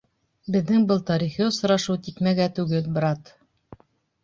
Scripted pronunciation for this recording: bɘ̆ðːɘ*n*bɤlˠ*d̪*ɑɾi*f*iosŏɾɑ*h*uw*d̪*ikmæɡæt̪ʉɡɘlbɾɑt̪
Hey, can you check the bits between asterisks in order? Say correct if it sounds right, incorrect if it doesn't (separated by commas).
incorrect, incorrect, incorrect, incorrect, incorrect